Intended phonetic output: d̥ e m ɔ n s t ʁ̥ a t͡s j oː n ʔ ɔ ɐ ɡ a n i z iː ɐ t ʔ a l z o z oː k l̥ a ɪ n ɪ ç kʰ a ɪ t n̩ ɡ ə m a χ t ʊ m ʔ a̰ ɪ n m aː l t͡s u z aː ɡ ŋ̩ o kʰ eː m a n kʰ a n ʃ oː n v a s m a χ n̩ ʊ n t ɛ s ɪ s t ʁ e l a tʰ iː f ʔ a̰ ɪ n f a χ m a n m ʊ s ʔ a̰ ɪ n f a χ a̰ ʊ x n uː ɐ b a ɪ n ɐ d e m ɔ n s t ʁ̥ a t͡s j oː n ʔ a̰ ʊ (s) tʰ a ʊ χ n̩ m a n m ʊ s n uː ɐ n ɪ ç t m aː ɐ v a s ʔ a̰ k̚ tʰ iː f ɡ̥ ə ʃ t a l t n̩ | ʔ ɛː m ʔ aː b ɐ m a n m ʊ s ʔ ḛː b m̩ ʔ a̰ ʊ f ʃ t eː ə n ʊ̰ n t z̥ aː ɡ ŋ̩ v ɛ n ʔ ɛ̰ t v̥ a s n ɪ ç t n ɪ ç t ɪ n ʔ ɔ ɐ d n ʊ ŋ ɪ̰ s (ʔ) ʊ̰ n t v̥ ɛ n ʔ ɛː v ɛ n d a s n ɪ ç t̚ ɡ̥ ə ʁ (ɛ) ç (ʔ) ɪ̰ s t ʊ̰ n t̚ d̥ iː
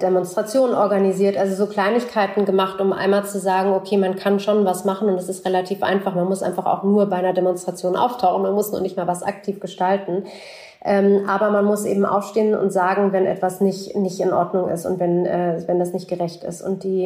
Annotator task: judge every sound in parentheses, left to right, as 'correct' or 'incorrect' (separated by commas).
incorrect, incorrect, correct, incorrect